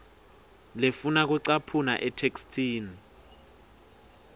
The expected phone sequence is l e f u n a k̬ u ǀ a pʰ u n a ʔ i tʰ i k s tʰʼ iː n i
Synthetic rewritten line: l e f u n a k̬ u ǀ a pʰ u n a ʔ ɛ tʰ e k s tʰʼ iː n i